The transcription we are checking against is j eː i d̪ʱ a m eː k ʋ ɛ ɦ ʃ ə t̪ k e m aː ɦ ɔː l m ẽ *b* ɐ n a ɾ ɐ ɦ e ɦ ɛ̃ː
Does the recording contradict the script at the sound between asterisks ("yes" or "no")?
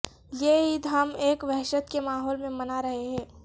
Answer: yes